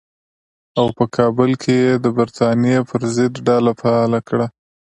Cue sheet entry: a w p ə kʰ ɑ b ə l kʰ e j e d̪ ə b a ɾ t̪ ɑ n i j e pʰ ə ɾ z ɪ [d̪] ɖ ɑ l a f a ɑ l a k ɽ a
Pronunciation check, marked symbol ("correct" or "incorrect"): correct